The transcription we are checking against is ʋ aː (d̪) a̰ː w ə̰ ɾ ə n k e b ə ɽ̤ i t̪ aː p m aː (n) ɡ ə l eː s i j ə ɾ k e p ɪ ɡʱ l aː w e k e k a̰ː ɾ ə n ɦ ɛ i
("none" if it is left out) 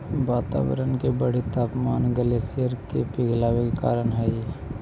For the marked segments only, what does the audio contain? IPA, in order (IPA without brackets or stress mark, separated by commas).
t̪, n